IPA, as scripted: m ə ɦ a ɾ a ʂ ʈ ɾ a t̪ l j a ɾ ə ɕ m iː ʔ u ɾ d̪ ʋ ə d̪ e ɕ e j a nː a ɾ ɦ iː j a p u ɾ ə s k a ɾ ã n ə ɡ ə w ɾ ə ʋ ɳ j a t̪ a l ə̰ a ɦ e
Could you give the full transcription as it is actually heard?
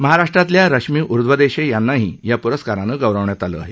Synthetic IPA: m ə ɦ a ɾ a ʂ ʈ ɾ a t̪ l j a ɾ ə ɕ m iː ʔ u ɾ d̪ ʋ ə d̪ e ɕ e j a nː a ɦ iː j a p u ɾ ə s k a ɾ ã n ə ɡ ə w ɾ ə ʋ ɳ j a t̪ a l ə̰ a ɦ e